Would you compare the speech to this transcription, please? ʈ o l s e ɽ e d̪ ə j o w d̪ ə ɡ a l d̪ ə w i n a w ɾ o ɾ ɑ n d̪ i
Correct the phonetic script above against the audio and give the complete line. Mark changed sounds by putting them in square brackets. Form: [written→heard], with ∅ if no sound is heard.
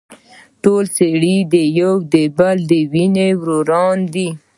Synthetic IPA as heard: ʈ o l s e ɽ [e→i] d̪ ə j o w d̪ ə [ɡ→b] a l d̪ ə w i n [a→e] w ɾ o ɾ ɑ n d̪ i